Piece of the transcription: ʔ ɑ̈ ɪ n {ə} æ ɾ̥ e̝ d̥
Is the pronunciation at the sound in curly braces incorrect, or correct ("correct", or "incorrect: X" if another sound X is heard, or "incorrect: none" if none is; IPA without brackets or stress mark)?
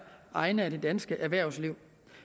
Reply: correct